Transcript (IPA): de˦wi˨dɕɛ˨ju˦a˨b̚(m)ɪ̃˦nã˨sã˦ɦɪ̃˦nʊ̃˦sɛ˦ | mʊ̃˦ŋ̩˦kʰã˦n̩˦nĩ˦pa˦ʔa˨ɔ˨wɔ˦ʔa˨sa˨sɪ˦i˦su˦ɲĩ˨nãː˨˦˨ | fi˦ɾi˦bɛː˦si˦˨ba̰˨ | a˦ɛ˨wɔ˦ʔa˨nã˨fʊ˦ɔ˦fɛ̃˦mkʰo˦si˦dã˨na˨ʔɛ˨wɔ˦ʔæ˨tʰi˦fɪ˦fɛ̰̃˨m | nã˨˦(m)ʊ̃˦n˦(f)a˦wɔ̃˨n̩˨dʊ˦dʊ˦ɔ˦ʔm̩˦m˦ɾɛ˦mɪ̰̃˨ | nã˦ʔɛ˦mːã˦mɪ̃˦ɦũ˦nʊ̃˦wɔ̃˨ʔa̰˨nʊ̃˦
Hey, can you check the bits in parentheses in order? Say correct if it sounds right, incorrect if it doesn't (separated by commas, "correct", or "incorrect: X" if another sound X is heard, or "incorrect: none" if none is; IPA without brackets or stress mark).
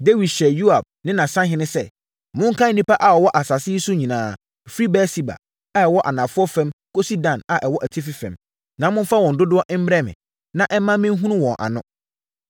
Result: incorrect: n, correct, correct